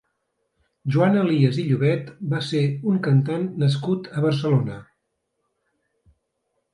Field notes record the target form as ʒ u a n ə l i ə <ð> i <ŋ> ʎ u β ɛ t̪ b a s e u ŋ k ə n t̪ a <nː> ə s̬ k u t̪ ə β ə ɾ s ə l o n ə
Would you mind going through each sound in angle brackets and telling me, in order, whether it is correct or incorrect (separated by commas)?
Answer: incorrect, incorrect, correct